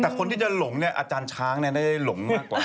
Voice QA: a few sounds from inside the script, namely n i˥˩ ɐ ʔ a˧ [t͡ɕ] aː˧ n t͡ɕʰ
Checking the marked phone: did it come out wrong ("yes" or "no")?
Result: no